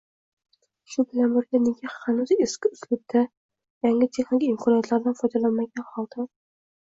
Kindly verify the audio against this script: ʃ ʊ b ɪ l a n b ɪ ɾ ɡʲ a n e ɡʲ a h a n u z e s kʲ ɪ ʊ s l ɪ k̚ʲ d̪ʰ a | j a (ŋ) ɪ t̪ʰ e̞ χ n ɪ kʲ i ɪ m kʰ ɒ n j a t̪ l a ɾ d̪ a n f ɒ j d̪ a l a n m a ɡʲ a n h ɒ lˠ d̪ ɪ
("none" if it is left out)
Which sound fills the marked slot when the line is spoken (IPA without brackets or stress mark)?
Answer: ŋ